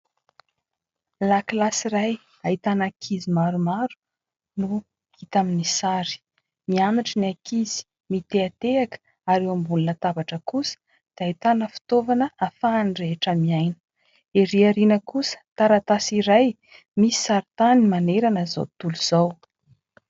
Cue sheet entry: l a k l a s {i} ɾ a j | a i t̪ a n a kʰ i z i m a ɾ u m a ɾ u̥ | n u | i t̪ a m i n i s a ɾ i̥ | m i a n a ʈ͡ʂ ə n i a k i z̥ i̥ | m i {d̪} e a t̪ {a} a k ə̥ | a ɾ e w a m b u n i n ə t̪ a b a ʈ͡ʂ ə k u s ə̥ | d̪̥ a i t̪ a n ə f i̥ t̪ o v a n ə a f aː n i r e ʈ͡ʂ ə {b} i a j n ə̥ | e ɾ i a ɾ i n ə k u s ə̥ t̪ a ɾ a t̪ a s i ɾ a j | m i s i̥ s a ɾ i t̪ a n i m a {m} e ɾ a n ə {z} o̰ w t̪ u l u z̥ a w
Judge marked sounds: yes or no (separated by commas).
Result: yes, no, no, no, no, yes